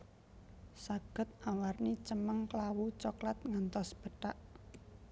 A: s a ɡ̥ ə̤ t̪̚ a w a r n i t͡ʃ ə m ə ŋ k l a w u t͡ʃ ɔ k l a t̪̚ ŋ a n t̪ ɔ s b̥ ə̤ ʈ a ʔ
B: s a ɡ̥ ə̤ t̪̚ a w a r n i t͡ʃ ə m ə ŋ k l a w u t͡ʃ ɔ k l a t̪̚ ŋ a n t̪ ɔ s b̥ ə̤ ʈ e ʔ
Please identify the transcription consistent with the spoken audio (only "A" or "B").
A